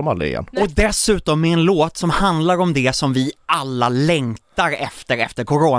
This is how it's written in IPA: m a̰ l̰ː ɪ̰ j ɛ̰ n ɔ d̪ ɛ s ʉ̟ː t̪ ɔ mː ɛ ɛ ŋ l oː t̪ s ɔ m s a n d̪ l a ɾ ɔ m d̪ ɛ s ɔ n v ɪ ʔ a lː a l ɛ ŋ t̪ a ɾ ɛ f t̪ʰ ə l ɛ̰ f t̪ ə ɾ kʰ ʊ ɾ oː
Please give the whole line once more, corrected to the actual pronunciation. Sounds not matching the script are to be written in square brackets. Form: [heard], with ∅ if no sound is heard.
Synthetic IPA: m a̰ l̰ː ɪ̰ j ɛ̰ n ɔ d̪ ɛ s ʉ̟ː t̪ ɔ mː ɛ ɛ [n] l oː t̪ s ɔ m [h] a n d̪ l a ɾ ɔ m d̪ ɛ s ɔ [m] v ɪ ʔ a lː a l ɛ ŋ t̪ a ɾ ɛ f [t̪] ə [ɾ] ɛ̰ f t̪ ə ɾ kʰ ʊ ɾ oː